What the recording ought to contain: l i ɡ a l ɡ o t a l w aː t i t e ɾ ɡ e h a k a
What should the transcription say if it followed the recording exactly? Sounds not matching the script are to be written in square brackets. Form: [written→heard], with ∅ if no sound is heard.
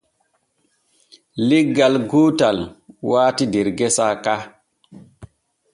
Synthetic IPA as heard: l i ɡ a l ɡ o t a l w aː t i [t→d] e ɾ ɡ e [h→s] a k a